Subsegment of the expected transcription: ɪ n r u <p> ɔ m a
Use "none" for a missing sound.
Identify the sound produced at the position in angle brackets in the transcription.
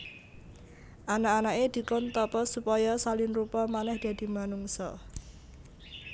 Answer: p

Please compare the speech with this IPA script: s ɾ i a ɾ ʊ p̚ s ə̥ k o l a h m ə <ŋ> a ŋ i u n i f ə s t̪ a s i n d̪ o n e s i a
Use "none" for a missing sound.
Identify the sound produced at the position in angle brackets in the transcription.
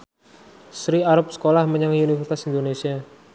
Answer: ɲ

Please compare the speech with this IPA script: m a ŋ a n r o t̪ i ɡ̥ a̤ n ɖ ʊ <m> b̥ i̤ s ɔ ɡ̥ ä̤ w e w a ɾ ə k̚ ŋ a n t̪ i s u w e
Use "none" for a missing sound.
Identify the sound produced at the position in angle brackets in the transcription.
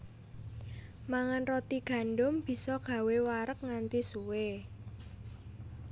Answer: m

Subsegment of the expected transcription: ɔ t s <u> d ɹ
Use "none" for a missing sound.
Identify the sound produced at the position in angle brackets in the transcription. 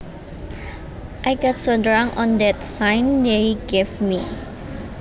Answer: o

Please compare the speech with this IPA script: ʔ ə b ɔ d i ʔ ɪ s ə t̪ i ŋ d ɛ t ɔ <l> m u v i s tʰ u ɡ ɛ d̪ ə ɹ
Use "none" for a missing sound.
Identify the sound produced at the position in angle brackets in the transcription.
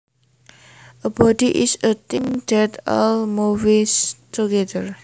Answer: l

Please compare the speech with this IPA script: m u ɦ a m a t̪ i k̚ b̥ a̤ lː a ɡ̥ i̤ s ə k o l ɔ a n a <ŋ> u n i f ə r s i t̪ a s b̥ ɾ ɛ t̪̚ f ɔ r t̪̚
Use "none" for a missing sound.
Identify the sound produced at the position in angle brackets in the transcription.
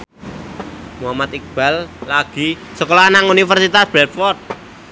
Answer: ŋ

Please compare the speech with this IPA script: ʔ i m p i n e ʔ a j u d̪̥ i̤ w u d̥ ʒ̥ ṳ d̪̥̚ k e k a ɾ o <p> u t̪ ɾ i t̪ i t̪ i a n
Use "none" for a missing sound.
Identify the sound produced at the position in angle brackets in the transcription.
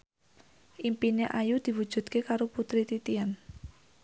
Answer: p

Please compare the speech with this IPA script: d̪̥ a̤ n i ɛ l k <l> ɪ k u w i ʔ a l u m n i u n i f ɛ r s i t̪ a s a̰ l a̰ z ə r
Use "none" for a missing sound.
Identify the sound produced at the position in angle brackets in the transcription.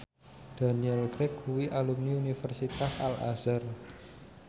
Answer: ɾ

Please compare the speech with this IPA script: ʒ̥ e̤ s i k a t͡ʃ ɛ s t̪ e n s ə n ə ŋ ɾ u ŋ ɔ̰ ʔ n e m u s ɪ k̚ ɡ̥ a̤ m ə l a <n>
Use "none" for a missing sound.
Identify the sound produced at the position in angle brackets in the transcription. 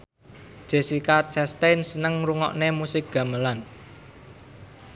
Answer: n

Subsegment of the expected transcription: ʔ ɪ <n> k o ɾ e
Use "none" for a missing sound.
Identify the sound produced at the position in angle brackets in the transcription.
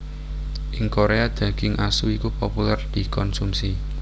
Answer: ŋ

